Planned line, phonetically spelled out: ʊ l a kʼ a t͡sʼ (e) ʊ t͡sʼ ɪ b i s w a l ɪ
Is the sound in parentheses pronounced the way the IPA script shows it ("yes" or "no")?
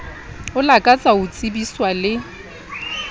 no